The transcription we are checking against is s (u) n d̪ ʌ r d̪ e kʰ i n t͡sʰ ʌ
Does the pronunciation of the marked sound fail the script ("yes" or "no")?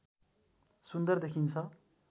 no